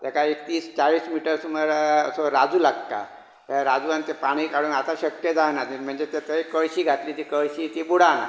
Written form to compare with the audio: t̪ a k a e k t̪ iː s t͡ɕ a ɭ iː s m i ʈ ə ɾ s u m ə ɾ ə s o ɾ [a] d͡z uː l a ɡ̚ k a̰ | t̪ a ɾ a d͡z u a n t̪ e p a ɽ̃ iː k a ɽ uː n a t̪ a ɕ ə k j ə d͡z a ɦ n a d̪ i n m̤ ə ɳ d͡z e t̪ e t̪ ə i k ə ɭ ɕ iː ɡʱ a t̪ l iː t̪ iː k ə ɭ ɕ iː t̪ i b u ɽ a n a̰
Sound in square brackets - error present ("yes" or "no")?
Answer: no